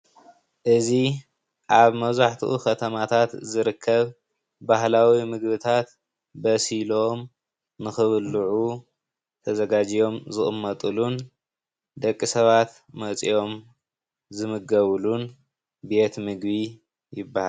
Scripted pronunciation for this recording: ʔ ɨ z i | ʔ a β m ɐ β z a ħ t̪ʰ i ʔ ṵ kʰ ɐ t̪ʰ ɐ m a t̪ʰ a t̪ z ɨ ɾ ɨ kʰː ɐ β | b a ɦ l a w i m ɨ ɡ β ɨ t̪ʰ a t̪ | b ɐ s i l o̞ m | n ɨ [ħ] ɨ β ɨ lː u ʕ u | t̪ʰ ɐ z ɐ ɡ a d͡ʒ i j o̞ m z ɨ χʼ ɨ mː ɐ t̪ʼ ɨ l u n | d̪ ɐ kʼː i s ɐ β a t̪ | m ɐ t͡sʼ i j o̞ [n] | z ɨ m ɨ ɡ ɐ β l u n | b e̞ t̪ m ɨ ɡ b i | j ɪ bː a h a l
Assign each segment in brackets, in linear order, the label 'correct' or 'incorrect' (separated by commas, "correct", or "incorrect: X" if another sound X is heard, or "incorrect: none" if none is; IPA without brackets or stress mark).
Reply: incorrect: x, incorrect: m